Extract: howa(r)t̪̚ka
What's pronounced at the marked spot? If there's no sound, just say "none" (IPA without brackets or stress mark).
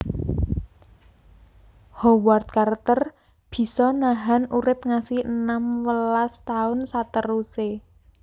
r